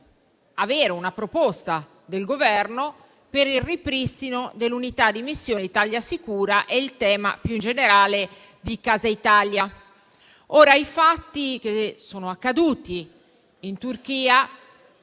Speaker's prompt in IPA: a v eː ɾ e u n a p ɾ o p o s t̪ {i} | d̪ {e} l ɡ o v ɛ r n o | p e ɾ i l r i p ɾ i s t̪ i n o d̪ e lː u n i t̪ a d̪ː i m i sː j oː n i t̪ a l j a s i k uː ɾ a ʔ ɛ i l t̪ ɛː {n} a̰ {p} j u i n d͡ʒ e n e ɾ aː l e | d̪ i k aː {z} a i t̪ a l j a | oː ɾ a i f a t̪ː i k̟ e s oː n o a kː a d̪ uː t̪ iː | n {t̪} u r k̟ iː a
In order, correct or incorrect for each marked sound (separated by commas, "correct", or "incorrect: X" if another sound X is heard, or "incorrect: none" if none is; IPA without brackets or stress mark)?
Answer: incorrect: a, correct, incorrect: m, correct, correct, correct